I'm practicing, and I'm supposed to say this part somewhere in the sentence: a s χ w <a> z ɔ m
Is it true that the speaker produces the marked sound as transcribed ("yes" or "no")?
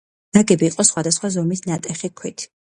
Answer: yes